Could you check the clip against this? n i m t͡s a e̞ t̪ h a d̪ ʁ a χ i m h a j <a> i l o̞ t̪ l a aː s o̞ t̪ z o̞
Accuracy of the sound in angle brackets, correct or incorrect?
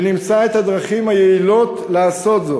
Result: incorrect